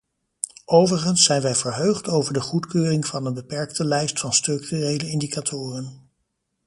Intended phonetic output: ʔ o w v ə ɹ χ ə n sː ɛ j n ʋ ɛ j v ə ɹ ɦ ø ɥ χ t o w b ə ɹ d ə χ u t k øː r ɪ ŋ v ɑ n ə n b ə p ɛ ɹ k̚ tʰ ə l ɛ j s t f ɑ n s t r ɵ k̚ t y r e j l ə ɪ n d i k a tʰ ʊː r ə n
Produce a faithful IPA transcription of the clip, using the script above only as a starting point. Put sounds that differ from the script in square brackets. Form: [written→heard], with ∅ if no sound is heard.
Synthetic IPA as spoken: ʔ o w v ə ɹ χ ə n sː ɛ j n ʋ ɛ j v ə ɹ ɦ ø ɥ χ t o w [b→v] ə ɹ d ə χ u t k øː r ɪ ŋ v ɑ n ə n b ə p ɛ ɹ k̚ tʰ ə l ɛ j s t f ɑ n s t r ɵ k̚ t y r e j l ə ɪ n d i k a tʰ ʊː r ə n

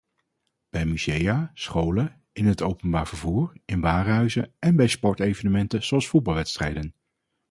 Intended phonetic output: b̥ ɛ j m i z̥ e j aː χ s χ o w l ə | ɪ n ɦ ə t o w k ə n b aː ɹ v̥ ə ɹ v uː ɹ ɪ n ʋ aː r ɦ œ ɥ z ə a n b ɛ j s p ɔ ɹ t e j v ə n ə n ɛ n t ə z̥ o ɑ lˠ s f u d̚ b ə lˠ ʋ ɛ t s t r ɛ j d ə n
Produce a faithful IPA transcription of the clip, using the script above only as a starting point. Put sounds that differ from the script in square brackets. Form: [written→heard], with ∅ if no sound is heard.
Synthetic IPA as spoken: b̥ ɛ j m [i→y] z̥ e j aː [χ→∅] s χ o w l ə | ɪ n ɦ ə t o w [k→p] ə n b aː ɹ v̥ ə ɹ v uː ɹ ɪ n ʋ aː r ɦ œ ɥ z ə [a→ɛ] n b ɛ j s p ɔ ɹ t e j v ə n ə [n→m] ɛ n t ə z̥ o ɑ lˠ s f u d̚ b [ə→ɑ] lˠ ʋ ɛ t s t r ɛ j d ə n

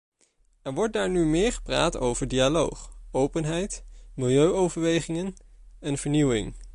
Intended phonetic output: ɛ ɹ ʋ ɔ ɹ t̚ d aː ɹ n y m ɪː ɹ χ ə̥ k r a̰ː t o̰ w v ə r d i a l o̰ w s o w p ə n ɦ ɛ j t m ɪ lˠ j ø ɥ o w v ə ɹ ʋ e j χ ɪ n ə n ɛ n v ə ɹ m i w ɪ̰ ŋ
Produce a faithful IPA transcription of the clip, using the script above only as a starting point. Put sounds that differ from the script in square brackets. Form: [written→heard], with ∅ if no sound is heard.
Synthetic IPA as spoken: ɛ ɹ ʋ ɔ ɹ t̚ d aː ɹ n y m ɪː ɹ χ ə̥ [k→p] r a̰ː t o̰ w v ə [r→ɹ] d i a l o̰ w [s→χ] o w p ə n ɦ ɛ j t m ɪ lˠ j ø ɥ o w v ə ɹ ʋ e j χ ɪ [n→ŋ] ə n ɛ n v ə ɹ [m→n] i w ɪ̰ ŋ

